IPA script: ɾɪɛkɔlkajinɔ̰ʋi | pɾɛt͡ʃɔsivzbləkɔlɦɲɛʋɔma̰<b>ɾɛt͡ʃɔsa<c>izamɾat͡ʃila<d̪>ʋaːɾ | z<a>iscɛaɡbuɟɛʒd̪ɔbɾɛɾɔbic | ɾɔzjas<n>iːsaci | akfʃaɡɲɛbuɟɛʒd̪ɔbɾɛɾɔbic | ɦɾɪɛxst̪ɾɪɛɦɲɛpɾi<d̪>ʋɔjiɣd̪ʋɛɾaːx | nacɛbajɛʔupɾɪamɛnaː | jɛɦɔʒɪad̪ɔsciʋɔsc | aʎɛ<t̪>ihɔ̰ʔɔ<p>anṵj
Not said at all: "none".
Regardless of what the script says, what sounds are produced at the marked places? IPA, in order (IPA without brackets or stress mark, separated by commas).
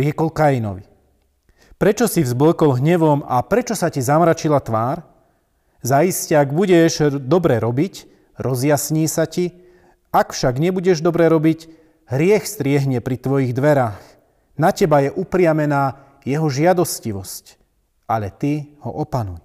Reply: p, c, t̪, a, ɲ, t̪, t̪, p